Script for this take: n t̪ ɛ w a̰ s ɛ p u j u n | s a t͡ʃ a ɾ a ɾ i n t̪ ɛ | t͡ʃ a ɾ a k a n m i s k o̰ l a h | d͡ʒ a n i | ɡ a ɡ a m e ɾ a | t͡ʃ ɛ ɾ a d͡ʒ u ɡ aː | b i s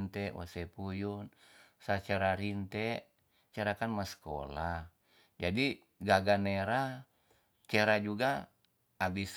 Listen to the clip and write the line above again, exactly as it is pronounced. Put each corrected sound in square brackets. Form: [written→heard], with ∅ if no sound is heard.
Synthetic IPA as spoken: n t̪ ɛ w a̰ s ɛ p u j u n | s a t͡ʃ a ɾ a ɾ i n t̪ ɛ | t͡ʃ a ɾ a k a n m [i→a] s k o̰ l a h | d͡ʒ a [n→d] i | ɡ a ɡ a [m→n] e ɾ a | t͡ʃ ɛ ɾ a d͡ʒ u ɡ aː | b i s

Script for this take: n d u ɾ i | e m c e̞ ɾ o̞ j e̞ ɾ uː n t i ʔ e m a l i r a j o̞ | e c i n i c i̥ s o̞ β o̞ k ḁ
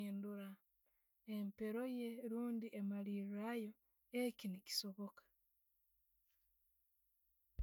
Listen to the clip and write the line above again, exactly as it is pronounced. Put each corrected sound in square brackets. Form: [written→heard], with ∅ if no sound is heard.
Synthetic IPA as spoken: n d u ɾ [i→a] | e m [c→p] e̞ ɾ o̞ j e̞ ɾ uː n [t→d] i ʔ e m a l i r a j o̞ | e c i n i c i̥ s o̞ β o̞ k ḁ

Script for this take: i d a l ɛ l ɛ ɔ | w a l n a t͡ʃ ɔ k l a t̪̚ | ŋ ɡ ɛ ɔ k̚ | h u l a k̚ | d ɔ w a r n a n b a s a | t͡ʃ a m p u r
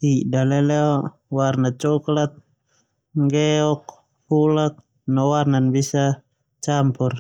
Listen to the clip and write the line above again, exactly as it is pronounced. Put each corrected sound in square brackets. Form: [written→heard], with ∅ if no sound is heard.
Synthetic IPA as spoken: i d a l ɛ l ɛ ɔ | w a [l→r] n a t͡ʃ ɔ k l a t̪̚ | ŋ ɡ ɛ ɔ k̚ | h u l a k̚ | [d→n] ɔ w a r n a n b [a→i] s a | t͡ʃ a m p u r

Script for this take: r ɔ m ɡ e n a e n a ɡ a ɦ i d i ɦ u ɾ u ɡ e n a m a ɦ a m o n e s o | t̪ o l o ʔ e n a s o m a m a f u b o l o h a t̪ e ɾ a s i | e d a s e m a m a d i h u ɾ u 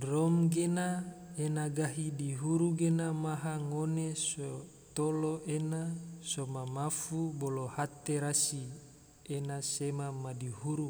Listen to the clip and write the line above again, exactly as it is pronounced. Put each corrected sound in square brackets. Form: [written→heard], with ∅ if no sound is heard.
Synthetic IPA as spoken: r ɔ m ɡ e n a e n a ɡ a ɦ i d i ɦ u ɾ u ɡ e n a m a ɦ a [m→ŋ] o n e s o | t̪ o l o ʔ e n a s o m a m a f u b o l o h a t̪ e ɾ a s i | e [d→n] a s e m a m a d i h u ɾ u

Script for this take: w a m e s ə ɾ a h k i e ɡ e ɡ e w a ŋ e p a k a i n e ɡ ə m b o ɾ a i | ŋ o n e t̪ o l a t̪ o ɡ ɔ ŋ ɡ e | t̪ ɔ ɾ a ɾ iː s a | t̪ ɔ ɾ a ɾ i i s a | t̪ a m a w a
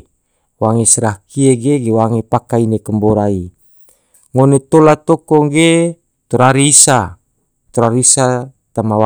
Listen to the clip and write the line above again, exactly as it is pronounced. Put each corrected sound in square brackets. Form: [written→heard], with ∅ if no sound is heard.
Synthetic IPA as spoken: w a [m→ŋ] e s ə ɾ a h k i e ɡ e ɡ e w a ŋ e p a k a i n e [ɡ→k] ə m b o ɾ a i | ŋ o n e t̪ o l a t̪ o [ɡ→k] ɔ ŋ ɡ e | t̪ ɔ ɾ a ɾ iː s a | t̪ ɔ ɾ a ɾ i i s a | t̪ a m a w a

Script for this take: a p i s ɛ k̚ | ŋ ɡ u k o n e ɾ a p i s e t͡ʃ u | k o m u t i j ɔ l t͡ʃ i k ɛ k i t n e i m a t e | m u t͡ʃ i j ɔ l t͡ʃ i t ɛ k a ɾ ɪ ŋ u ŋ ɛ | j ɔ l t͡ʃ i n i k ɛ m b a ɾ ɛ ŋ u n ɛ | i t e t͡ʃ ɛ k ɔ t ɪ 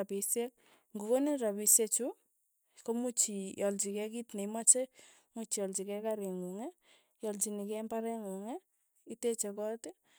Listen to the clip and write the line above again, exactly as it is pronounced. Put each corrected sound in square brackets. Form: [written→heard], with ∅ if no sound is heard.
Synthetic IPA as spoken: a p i s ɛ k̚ | ŋ ɡ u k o n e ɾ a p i s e t͡ʃ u | k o m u [t→t͡ʃ] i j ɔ l t͡ʃ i k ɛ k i t n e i m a [t→t͡ʃ] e | m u t͡ʃ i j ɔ l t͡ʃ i [t→k] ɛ k a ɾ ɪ ŋ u ŋ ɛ | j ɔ l t͡ʃ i n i k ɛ m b a ɾ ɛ ŋ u [n→ŋ] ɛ | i t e t͡ʃ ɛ k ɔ t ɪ

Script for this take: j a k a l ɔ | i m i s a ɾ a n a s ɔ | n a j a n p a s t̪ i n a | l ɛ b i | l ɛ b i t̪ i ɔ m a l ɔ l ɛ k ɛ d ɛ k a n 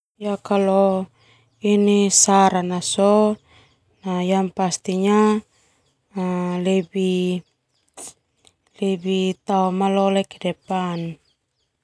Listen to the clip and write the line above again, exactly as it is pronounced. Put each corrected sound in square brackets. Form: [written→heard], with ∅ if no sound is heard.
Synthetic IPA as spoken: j a k a l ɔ | i [m→n] i s a ɾ a n a s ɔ | n a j a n p a s t̪ i [n→ɲ] a | l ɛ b i | l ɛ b i t̪ [i→a] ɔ m a l ɔ l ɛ k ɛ d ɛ [k→p] a n

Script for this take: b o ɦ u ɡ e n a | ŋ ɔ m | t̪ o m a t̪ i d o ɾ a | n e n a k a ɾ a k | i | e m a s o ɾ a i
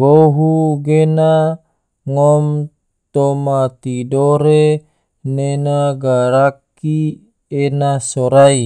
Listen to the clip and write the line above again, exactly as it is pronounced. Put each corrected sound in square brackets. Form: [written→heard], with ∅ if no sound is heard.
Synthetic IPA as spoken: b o ɦ u ɡ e n a | ŋ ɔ m | t̪ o m a t̪ i d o ɾ [a→e] | n e n a [k→ɡ] a ɾ a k | i | e [m→n] a s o ɾ a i

